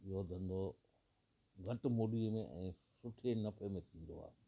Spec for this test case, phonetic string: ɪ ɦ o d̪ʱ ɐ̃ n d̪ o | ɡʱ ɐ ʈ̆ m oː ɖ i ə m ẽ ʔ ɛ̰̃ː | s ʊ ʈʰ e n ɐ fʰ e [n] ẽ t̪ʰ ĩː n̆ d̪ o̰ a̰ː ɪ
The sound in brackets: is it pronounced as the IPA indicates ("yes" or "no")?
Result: no